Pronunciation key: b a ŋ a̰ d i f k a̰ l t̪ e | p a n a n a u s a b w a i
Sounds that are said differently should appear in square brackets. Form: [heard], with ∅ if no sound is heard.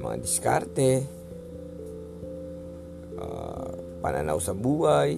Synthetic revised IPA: [m] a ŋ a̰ d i [s] k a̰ [r] t̪ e | p a n a n a u s a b [u] a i